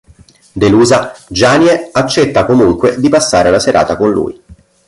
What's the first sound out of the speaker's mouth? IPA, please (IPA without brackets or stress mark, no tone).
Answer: d̪